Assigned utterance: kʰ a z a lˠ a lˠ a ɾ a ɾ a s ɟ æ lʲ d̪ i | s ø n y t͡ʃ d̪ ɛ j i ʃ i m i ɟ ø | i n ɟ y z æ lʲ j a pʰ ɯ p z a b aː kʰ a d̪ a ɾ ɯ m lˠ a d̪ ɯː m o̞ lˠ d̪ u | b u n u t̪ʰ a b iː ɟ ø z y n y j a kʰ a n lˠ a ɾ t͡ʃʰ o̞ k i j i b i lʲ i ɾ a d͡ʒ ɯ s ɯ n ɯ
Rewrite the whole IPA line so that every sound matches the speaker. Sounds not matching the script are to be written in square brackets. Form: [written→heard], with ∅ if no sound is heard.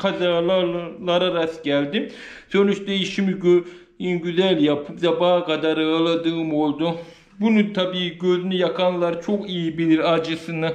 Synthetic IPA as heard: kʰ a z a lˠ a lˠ a ɾ a ɾ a s ɟ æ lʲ d̪ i | s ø n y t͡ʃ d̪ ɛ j i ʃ i m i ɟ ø | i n ɟ y z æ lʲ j a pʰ ɯ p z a b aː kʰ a d̪ a ɾ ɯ [m→∅] lˠ a d̪ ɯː m o̞ lˠ d̪ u | b u n u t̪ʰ a b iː ɟ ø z y n y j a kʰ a n lˠ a ɾ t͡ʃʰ o̞ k i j i b i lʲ i ɾ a d͡ʒ ɯ s ɯ n ɯ

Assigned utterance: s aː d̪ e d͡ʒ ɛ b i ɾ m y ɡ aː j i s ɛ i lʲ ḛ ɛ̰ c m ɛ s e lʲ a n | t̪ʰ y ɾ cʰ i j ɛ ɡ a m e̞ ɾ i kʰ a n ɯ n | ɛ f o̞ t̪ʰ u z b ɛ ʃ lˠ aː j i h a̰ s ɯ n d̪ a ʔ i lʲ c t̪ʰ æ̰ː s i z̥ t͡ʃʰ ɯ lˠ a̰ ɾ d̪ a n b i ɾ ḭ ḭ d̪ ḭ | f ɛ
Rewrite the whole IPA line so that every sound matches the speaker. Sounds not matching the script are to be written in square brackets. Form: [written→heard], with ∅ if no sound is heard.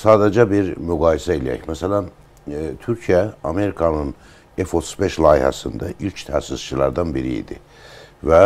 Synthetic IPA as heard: s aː d̪ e d͡ʒ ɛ b i ɾ m y ɡ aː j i s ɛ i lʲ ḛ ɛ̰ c m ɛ s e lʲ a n | t̪ʰ y ɾ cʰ i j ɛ [ɡ→∅] a m e̞ ɾ i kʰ a n ɯ n | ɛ f o̞ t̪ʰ u z b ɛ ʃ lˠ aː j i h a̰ s ɯ n d̪ a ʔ i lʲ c t̪ʰ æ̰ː s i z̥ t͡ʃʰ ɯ lˠ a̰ ɾ d̪ a n b i ɾ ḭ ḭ d̪ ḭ | [f→v] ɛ

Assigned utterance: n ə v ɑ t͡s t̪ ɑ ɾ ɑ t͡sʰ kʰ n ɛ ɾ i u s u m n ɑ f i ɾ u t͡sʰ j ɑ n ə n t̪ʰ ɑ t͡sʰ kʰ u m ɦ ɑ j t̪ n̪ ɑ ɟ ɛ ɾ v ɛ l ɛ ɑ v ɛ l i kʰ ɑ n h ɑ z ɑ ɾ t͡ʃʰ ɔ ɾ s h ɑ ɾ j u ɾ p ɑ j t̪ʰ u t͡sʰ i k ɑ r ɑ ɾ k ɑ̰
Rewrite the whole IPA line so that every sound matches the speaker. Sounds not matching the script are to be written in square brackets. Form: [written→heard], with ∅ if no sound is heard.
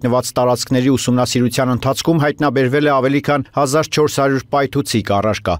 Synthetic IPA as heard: n ə v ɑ t͡s t̪ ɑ ɾ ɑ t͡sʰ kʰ n ɛ ɾ i u s u m n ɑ [f→s] i ɾ u t͡sʰ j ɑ n ə n t̪ʰ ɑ t͡sʰ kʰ u m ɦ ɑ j t̪ n̪ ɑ [ɟ→b] ɛ ɾ v ɛ l ɛ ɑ v ɛ l i kʰ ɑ n h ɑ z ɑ ɾ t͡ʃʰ ɔ ɾ s h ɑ ɾ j u ɾ p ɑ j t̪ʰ u t͡sʰ i k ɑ r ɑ ɾ k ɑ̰

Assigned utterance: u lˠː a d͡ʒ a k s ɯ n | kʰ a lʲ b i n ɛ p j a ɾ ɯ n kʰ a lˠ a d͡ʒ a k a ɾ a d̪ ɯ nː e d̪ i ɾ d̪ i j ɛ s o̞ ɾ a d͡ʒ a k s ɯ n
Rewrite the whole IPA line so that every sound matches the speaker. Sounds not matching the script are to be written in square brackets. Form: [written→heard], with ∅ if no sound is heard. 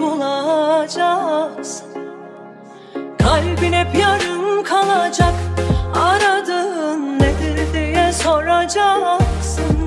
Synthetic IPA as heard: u [lˠː→lˠ] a d͡ʒ a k s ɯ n | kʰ a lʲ b i n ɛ p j a ɾ ɯ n kʰ a lˠ a d͡ʒ a k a ɾ a d̪ ɯ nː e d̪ i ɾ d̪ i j ɛ s o̞ ɾ a d͡ʒ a k s ɯ n

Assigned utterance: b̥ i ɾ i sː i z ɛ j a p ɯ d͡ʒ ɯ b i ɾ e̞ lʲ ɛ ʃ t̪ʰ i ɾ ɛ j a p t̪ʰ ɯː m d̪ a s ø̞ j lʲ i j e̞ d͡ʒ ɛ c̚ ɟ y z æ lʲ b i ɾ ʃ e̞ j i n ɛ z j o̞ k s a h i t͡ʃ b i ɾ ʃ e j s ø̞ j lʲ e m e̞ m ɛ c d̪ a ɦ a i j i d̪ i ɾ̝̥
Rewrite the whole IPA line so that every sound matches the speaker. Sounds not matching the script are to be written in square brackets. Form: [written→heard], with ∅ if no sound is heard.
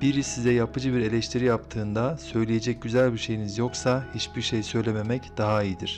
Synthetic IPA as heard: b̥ i ɾ i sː i z ɛ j a p ɯ d͡ʒ ɯ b i ɾ e̞ lʲ ɛ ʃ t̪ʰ i ɾ [ɛ→i] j a p t̪ʰ ɯː [m→n] d̪ a s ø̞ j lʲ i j e̞ d͡ʒ ɛ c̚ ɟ y z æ lʲ b i ɾ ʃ e̞ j i n [ɛ→i] z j o̞ k s a h i t͡ʃ b i ɾ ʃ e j s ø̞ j lʲ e m e̞ m ɛ c d̪ a ɦ a i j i d̪ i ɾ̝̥

